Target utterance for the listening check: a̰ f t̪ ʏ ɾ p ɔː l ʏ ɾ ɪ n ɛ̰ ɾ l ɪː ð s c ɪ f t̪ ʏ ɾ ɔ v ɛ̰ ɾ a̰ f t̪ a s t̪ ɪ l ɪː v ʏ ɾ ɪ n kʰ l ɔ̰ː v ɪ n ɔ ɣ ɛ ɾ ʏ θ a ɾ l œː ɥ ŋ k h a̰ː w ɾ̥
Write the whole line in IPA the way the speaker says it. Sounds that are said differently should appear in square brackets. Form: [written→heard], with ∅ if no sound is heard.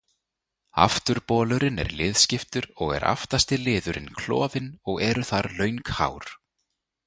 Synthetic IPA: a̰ f t̪ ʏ ɾ p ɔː l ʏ ɾ ɪ n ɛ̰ ɾ l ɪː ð s c ɪ f t̪ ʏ ɾ ɔ [v→ɣ] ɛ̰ ɾ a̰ f t̪ a s t̪ ɪ l ɪː [v→ð] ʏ ɾ ɪ n kʰ l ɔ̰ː v ɪ n ɔ ɣ ɛ ɾ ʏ θ a ɾ l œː ɥ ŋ k h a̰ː w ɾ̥